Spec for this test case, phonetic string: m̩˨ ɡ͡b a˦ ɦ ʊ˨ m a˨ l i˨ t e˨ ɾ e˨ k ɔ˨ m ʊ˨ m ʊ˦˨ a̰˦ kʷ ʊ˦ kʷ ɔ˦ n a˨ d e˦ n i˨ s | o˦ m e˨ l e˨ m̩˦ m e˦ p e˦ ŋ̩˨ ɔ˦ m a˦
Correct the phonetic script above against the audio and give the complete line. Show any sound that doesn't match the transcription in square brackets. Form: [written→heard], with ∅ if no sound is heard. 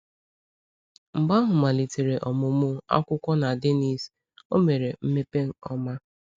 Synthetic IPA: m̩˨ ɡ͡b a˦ ɦ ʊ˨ m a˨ l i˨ t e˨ ɾ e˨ [k→ʔ] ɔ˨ m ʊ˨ m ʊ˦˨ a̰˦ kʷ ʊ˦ kʷ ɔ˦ n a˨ d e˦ n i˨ s | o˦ m e˨ [l→ɾ] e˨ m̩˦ m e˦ p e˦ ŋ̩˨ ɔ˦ m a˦

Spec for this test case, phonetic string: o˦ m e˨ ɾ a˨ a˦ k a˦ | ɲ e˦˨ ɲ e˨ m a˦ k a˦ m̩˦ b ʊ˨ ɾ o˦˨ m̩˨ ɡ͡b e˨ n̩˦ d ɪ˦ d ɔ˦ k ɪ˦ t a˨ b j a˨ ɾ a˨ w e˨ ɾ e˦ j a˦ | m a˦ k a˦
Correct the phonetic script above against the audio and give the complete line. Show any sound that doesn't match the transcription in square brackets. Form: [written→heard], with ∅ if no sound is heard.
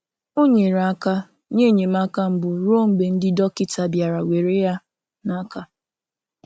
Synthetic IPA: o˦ [m→ɲ] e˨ ɾ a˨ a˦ k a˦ | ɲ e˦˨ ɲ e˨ m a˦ k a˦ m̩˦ b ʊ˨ ɾ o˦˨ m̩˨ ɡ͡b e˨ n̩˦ d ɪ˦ d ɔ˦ k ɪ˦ t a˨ b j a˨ ɾ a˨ w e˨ ɾ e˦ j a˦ | [m→n] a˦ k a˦

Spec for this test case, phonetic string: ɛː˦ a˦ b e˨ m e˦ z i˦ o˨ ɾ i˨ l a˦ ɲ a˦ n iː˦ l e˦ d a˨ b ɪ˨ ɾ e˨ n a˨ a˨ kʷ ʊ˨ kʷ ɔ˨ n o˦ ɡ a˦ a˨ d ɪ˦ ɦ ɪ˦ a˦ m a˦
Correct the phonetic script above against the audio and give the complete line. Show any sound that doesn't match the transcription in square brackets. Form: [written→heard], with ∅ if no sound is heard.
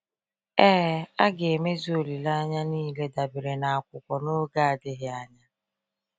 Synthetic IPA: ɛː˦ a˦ [b→ɡ] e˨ m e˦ z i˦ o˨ [ɾ→l] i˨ l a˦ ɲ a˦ n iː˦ l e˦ d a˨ b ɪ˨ ɾ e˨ n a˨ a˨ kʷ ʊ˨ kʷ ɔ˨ n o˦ ɡ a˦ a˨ d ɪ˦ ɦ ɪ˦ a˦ [m→ɲ] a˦

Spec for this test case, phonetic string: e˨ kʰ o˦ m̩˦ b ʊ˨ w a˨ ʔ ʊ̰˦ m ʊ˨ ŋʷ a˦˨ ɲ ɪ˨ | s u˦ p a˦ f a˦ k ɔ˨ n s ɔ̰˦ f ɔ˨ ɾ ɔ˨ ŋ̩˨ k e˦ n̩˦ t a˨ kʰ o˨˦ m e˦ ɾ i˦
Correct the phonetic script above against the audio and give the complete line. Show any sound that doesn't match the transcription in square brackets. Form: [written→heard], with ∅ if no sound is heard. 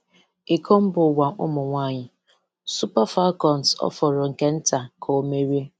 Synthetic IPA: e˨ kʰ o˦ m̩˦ b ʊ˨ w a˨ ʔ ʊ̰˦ m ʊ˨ ŋʷ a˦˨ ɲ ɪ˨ | s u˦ p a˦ f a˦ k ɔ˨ n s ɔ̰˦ f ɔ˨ ɾ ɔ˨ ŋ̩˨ k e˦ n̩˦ t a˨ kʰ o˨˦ m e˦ ɾ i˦

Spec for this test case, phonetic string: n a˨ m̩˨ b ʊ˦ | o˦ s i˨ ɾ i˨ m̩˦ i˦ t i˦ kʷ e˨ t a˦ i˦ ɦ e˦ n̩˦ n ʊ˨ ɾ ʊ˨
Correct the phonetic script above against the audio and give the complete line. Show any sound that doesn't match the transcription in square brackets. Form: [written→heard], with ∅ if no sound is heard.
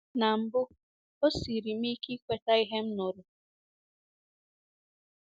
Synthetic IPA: n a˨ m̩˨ b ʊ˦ | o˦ s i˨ ɾ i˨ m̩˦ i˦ [t→k] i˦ kʷ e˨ t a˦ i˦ ɦ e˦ [n̩˦→m̩˦] n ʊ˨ ɾ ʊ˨

